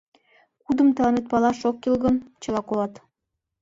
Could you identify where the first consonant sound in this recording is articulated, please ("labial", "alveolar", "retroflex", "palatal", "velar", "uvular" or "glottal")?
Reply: velar